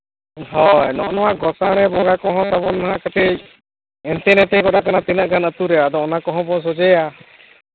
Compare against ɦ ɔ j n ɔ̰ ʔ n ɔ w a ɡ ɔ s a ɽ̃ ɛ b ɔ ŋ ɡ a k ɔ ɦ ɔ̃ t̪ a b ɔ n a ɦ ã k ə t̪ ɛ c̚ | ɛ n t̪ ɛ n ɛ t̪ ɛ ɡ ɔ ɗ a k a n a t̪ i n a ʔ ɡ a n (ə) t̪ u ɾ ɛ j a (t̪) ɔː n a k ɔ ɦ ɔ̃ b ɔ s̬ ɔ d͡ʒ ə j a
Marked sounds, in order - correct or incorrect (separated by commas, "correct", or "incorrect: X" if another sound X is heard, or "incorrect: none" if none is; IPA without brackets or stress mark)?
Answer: correct, incorrect: d̪